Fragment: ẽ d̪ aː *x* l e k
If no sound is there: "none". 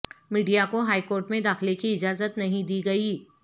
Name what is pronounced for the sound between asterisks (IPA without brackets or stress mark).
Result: x